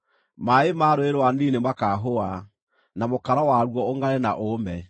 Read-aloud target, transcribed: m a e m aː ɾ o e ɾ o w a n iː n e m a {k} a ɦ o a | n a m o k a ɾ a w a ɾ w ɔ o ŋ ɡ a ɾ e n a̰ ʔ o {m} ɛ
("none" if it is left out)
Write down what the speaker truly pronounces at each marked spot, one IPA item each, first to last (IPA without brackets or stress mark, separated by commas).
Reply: k, m